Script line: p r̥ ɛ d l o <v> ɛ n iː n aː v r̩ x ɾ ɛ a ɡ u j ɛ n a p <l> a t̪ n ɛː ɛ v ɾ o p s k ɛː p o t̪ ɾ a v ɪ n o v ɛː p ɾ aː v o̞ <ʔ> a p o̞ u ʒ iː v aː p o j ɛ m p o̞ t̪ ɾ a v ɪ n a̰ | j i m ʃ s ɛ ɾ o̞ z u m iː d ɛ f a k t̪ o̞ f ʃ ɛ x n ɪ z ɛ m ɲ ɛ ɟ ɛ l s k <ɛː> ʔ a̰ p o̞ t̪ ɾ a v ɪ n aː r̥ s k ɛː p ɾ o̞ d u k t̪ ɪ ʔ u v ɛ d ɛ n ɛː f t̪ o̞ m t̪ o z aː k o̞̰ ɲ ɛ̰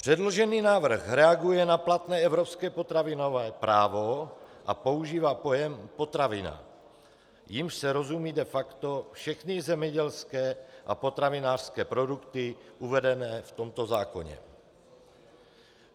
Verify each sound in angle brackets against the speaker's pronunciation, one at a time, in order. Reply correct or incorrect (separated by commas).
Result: incorrect, correct, correct, correct